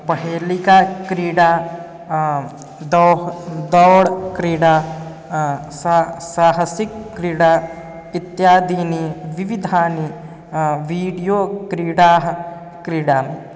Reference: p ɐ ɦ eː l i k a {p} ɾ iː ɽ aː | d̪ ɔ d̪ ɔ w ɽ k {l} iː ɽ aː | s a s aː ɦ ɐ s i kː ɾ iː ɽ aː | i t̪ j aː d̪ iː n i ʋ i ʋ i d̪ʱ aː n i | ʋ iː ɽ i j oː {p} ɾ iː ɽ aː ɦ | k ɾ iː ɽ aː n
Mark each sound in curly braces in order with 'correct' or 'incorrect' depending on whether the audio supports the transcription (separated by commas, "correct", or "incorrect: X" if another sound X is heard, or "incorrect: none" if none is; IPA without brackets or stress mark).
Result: incorrect: k, incorrect: ɾ, incorrect: k